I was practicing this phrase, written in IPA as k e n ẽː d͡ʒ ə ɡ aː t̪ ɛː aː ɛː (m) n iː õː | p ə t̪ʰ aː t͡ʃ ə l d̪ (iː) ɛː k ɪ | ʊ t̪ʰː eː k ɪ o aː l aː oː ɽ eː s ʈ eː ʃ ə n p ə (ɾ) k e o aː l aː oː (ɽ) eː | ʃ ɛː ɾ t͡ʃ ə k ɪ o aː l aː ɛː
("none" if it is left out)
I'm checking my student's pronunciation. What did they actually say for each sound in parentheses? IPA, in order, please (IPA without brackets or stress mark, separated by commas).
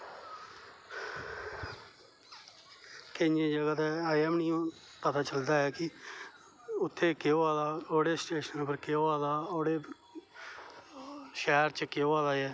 m, aː, ɾ, ɽ